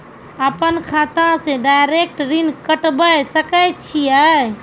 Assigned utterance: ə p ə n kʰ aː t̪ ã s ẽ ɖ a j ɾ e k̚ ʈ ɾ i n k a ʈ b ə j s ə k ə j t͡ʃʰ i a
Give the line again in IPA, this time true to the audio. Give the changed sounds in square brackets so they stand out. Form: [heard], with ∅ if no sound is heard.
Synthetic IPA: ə p ə n kʰ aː t̪ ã s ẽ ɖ a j ɾ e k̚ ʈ ɾ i n k [ə] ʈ b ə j s ə k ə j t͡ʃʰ i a